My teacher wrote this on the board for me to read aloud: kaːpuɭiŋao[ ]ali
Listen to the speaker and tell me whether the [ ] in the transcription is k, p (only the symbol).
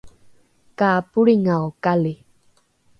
k